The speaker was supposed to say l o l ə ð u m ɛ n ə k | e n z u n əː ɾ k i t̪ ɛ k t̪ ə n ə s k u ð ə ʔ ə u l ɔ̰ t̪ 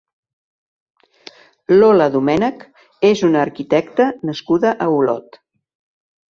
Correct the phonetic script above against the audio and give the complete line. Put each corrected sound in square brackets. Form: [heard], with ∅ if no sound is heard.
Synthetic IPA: l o l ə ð u m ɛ n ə k | e [∅] z u n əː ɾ k i t̪ ɛ k t̪ ə n ə s k u ð ə ʔ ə u l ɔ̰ t̪